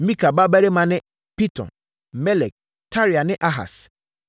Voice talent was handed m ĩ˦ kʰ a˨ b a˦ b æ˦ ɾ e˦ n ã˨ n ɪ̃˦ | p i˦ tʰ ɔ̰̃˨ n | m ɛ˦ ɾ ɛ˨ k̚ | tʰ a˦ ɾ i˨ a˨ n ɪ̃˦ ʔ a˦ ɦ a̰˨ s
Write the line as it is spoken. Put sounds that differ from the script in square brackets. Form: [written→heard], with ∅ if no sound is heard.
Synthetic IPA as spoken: m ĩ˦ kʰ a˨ b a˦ b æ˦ ɾ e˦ [n→m] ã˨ n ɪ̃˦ | p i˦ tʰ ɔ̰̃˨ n | m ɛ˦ [ɾ→l] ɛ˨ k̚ | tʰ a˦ ɾ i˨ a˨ n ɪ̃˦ ʔ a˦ ɦ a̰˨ s

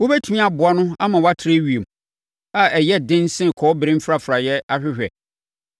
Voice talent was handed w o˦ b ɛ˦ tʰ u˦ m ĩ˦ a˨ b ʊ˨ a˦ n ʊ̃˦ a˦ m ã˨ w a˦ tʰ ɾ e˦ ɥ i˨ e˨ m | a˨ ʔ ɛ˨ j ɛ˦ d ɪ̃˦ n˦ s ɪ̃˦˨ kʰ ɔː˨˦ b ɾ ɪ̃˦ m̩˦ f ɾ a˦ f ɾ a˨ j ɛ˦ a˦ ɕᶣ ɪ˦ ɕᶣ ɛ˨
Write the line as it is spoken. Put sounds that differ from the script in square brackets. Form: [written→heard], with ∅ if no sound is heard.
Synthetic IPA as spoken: w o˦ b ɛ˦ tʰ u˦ m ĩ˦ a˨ b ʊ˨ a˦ n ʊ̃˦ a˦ m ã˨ w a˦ tʰ ɾ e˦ ɥ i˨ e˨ m | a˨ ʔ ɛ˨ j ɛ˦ d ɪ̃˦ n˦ s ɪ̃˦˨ kʰ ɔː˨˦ b ɾ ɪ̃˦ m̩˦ f ɾ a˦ f ɾ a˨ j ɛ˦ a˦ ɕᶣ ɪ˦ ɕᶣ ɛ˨

